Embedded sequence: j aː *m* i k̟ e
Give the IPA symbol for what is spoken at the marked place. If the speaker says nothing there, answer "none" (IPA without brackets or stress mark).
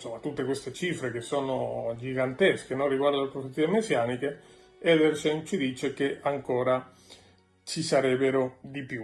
n